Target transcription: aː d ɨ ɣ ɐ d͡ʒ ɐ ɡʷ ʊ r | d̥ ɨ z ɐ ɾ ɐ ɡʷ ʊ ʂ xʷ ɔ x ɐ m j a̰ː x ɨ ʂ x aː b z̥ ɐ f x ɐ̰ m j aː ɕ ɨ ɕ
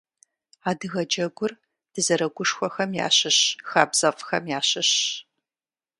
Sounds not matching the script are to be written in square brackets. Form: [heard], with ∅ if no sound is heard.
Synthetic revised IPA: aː d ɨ ɣ ɐ d͡ʒ ɐ ɡʷ ʊ r | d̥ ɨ z ɐ ɾ ɐ ɡʷ ʊ ʂ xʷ ɔ x ɐ m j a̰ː [ɕ] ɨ [ɕ] x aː b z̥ ɐ f x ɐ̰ m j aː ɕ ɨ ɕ